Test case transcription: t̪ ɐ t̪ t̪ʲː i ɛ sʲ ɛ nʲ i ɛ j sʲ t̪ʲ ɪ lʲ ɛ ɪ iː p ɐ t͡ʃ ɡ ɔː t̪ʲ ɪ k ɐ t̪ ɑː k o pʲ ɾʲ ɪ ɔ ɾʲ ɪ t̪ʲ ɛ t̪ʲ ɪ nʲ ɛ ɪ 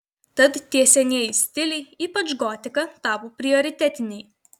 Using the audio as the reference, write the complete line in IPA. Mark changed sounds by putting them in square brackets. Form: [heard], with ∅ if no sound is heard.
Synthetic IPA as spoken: t̪ ɐ t̪ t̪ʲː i ɛ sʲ ɛ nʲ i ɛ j sʲ t̪ʲ ɪ lʲ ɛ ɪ iː p ɐ t͡ʃ ɡ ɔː t̪ʲ ɪ k ɐ t̪ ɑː [p] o pʲ ɾʲ ɪ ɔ ɾʲ ɪ t̪ʲ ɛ t̪ʲ ɪ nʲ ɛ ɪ